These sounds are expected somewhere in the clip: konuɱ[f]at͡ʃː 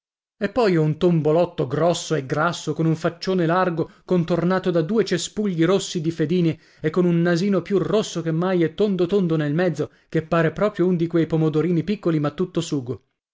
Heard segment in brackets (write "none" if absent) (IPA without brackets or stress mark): f